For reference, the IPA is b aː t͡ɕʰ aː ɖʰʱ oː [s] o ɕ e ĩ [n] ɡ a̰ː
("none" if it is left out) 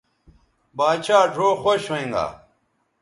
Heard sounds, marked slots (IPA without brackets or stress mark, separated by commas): x, ŋ